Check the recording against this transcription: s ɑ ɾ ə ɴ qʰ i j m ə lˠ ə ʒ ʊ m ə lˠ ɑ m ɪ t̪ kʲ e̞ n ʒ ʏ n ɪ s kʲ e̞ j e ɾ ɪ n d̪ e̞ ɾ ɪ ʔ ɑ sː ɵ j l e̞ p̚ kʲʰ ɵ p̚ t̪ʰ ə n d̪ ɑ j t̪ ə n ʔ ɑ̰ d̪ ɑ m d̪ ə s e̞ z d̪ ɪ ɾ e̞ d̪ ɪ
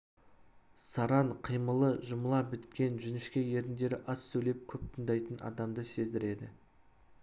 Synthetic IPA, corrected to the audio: s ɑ ɾ ɑ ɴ qʰ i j m ə lˠ ə ʒ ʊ m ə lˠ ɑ b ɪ t̪ kʲ e̞ n ʒ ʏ n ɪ ʃ kʲ e̞ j e ɾ ɪ n d̪ e̞ ɾ ɪ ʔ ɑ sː ɵ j l e̞ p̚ kʲʰ ɵ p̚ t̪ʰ ə n d̪ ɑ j t̪ ə n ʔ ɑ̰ d̪ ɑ m d̪ ə s e̞ z d̪ ɪ ɾ e̞ d̪ ɪ